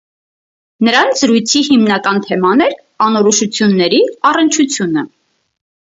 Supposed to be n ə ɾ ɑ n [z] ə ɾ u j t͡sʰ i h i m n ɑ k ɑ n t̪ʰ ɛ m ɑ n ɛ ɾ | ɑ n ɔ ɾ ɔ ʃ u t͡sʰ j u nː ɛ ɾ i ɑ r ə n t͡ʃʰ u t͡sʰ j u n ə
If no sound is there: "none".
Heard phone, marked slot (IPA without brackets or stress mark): z